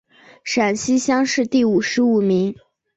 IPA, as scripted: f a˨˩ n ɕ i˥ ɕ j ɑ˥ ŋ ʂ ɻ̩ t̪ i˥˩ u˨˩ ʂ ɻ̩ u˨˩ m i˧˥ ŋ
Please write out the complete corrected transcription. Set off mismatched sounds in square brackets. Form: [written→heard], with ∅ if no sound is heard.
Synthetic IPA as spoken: [f→ʂ] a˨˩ n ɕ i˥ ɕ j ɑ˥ ŋ ʂ ɻ̩ t̪ i˥˩ u˨˩ ʂ ɻ̩ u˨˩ m i˧˥ ŋ